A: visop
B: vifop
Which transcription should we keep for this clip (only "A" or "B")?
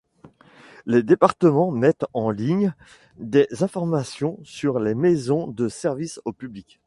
A